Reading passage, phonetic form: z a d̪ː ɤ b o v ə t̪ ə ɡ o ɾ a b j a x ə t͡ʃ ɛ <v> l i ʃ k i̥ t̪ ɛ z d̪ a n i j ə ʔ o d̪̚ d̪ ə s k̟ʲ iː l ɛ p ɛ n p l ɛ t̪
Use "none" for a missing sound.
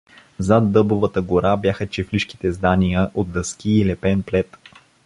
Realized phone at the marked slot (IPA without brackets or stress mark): f